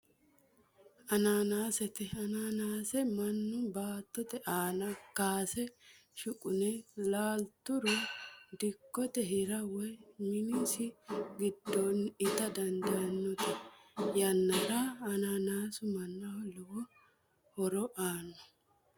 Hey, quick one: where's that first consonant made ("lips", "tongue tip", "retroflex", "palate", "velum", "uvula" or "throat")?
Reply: tongue tip